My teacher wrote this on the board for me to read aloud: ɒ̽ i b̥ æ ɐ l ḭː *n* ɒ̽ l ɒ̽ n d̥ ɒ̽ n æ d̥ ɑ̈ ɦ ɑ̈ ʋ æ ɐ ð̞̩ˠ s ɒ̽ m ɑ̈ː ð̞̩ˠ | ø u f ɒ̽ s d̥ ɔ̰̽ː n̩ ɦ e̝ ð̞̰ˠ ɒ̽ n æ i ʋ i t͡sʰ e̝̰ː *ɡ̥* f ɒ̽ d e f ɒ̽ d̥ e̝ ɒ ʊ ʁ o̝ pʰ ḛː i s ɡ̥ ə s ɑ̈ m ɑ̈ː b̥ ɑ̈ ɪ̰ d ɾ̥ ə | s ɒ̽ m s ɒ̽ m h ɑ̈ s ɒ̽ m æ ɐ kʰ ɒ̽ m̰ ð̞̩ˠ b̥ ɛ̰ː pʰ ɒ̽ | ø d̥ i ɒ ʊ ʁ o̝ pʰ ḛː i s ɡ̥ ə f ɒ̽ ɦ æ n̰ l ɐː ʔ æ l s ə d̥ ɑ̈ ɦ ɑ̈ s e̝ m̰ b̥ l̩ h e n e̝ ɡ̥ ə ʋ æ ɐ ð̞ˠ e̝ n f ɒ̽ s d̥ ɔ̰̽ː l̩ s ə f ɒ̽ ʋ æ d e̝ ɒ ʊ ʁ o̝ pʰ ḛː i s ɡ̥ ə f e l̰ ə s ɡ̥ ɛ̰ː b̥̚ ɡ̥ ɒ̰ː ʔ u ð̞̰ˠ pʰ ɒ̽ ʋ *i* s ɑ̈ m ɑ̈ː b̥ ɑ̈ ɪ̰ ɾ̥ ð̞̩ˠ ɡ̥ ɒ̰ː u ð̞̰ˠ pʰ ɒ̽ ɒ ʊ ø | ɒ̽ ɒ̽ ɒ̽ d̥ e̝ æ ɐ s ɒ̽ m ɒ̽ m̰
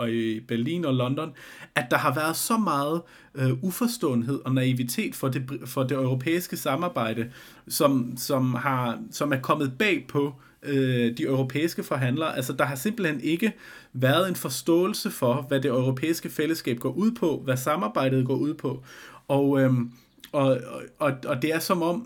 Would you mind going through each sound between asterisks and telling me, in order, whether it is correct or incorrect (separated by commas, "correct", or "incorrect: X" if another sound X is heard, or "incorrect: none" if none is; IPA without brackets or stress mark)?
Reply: correct, incorrect: d̥, incorrect: æ